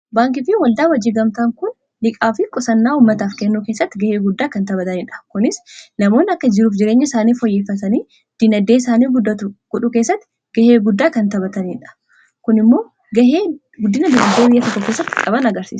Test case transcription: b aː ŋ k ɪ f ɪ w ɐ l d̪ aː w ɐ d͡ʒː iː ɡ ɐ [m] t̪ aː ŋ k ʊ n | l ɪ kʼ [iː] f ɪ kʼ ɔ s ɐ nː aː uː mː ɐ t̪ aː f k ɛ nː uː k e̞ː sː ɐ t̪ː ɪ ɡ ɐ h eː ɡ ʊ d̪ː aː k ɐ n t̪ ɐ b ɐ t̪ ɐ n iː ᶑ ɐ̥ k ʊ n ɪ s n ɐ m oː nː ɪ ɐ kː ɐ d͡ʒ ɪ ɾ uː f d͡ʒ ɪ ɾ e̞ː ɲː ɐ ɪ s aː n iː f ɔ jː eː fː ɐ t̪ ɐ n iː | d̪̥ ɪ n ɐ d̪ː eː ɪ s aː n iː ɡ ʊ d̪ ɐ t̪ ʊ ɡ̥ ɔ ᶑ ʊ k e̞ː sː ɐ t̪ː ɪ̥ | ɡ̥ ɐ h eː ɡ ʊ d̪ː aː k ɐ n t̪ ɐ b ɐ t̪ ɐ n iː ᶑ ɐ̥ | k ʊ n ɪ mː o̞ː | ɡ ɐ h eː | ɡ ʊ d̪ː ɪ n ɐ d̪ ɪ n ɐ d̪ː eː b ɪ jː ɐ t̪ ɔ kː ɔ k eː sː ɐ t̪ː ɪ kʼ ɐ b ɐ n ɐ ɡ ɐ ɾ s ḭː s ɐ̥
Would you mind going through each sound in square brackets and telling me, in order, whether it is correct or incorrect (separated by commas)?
correct, incorrect